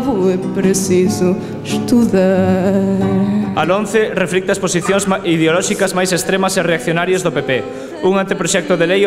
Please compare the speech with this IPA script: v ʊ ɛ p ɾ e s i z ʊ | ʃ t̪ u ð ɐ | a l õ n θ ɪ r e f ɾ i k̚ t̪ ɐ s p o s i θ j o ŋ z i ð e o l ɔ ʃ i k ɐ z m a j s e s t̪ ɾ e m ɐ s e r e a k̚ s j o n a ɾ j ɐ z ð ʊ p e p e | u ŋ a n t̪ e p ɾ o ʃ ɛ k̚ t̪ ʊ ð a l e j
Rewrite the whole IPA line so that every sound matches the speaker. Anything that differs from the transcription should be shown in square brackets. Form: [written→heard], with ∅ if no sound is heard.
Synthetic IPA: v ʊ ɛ p ɾ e s i z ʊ | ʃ t̪ u ð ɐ | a l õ n θ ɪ r e f ɾ i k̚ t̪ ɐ s p o s i θ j o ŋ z i ð e o l ɔ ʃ i k ɐ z m a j s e s t̪ ɾ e m ɐ s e r e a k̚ [s→θ] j o n a ɾ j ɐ z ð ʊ p e p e | u ŋ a n t̪ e p ɾ o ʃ ɛ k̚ t̪ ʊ ð [a→e] l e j